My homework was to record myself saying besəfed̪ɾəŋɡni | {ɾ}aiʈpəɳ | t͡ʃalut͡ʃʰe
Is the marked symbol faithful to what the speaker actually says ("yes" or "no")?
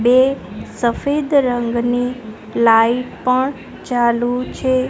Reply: no